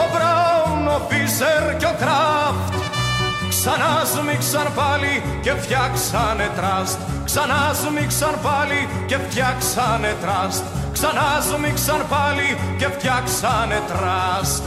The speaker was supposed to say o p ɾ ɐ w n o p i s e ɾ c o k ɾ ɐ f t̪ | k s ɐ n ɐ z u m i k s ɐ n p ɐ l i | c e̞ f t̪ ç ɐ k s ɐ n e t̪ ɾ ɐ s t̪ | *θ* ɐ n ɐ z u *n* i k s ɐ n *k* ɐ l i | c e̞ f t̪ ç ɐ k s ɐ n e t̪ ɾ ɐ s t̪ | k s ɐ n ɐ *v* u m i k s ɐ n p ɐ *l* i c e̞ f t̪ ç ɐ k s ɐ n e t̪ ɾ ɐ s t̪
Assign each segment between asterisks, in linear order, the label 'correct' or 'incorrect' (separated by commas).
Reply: incorrect, incorrect, incorrect, incorrect, correct